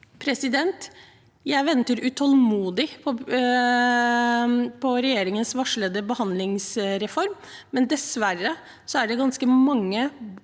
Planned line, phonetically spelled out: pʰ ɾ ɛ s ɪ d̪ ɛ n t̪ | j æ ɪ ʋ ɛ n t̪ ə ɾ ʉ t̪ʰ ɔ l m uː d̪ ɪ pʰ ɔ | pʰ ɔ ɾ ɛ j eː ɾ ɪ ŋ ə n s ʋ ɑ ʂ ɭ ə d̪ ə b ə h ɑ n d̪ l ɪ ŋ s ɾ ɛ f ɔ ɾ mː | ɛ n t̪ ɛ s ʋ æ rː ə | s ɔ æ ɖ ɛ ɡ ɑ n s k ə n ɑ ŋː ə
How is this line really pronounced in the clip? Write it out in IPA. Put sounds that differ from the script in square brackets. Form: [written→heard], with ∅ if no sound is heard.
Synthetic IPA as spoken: pʰ ɾ ɛ s ɪ d̪ ɛ n t̪ | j æ ɪ ʋ ɛ n t̪ ə ɾ ʉ t̪ʰ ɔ l m uː d̪ ɪ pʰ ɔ | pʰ ɔ ɾ ɛ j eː ɾ ɪ ŋ ə n s ʋ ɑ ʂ ɭ ə d̪ ə b ə h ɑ n d̪ l ɪ ŋ s ɾ ɛ f ɔ ɾ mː | ɛ n [t̪→d̪] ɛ s ʋ æ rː ə | s ɔ æ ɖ ɛ ɡ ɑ n s k ə [n→m] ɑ ŋː ə